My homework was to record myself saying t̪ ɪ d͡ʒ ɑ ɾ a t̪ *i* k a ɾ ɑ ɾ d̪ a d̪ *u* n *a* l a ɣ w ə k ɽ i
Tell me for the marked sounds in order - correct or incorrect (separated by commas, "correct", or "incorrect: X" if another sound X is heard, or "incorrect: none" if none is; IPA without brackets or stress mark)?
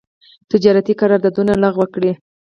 correct, correct, correct